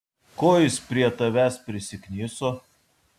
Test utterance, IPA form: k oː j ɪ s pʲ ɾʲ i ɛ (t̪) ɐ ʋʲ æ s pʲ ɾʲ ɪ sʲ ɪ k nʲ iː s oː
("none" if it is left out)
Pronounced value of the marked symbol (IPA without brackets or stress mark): t̪